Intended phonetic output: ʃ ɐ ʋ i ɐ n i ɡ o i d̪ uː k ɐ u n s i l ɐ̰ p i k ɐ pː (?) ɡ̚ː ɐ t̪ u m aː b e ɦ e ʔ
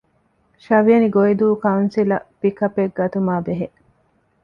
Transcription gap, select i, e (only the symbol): e